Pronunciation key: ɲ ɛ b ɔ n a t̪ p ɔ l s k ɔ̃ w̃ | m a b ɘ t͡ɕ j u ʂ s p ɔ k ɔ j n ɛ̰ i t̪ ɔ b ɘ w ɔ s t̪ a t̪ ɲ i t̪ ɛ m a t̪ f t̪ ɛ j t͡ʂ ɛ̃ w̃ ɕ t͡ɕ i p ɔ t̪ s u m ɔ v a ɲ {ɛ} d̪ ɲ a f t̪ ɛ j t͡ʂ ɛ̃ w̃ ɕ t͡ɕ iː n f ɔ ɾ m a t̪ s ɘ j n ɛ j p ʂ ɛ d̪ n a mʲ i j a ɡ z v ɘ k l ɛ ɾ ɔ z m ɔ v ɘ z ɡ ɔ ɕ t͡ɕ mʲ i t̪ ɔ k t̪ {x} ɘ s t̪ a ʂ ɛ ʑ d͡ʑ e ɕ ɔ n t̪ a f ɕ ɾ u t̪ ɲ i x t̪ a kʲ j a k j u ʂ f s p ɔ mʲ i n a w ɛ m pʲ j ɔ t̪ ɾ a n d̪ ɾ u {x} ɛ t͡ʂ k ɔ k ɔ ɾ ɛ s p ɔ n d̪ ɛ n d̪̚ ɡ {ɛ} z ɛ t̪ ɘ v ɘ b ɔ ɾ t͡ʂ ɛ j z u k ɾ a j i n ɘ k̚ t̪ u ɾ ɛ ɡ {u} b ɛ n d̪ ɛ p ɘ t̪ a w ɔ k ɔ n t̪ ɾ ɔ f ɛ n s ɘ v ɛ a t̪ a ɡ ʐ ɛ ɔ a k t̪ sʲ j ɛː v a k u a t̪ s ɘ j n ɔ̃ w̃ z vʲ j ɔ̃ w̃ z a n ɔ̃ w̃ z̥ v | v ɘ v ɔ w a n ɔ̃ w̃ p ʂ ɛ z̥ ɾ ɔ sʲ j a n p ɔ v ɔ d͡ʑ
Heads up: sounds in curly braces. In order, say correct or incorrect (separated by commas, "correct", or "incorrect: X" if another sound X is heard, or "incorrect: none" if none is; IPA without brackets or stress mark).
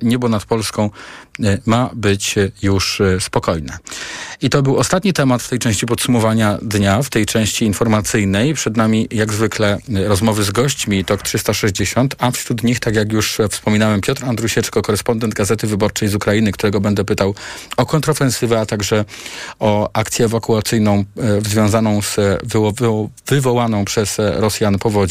incorrect: a, incorrect: ʂ, incorrect: ɕ, incorrect: a, incorrect: ɔ